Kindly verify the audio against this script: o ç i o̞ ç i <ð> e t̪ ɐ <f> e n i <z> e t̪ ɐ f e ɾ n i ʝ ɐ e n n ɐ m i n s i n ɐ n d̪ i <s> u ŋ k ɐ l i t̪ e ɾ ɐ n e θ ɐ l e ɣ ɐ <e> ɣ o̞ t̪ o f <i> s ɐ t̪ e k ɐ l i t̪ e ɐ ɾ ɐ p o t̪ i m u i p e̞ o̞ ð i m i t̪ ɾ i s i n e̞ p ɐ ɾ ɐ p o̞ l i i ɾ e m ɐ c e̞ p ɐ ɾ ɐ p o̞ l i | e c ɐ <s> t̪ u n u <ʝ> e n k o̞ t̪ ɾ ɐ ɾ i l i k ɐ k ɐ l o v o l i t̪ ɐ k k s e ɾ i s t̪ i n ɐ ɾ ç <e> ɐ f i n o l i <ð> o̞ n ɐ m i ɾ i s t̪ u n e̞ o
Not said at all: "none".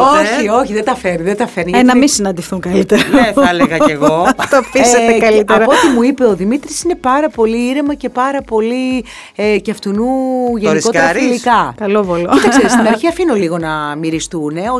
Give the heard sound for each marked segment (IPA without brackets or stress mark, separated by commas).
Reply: ð, f, ð, θ, e, i, f, ʝ, i, ɣ